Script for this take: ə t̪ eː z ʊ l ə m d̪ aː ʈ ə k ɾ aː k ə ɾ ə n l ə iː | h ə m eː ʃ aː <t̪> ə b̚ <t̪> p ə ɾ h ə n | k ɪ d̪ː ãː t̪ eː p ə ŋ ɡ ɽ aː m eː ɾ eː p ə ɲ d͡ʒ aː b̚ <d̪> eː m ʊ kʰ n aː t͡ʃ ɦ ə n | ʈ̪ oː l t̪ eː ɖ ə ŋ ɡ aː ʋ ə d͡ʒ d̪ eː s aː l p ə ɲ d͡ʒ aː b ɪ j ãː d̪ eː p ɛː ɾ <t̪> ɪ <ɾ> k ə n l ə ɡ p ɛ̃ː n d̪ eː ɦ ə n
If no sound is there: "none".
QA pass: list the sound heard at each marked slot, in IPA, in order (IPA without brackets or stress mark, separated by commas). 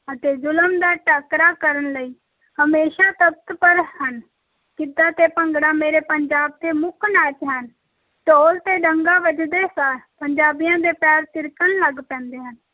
t̪, t̪, t̪, t̪, ɾ